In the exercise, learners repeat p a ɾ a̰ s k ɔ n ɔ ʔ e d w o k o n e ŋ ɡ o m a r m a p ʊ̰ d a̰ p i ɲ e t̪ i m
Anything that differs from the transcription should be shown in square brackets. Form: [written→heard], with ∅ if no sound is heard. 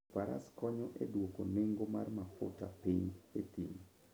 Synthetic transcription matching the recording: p a ɾ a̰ s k ɔ [n→ɲ] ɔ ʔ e d w o k o n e ŋ ɡ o m a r m a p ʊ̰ [d→t] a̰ p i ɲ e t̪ i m

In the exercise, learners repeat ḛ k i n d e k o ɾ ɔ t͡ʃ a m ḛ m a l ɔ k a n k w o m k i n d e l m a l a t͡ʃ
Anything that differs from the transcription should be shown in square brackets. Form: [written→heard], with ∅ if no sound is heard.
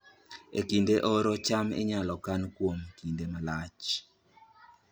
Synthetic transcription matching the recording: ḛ k i n d e [k→ʔ] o ɾ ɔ t͡ʃ a m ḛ [m→ɲ] a l ɔ k a n k w o m k i n d e [l→∅] m a l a t͡ʃ

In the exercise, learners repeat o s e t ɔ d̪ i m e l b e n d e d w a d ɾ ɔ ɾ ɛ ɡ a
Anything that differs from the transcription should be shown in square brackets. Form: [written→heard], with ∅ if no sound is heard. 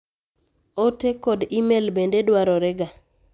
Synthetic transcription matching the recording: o [s→t] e [t→k] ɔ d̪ i m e l b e n d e d w a [d→∅] ɾ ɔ ɾ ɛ ɡ a

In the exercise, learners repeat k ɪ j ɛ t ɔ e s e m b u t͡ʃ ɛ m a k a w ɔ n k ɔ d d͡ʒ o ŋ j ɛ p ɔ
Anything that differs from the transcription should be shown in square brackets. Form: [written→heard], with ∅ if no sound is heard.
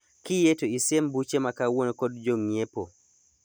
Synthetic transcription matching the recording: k [ɪ→i] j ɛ t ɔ [e→i] s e m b u t͡ʃ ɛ m a k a w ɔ n k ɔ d d͡ʒ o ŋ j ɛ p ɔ

